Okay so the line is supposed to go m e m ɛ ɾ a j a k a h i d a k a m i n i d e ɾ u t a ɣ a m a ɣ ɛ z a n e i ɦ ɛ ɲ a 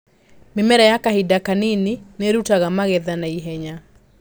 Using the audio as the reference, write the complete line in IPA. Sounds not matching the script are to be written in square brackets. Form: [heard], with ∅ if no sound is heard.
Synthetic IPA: m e m ɛ ɾ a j a k a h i d a k a [n] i n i [n] e ɾ u t a ɣ a m a ɣ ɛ [ð] a n [a] i ɦ ɛ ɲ a